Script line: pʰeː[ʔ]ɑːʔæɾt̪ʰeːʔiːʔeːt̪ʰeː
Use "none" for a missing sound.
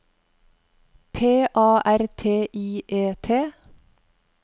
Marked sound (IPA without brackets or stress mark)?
ʔ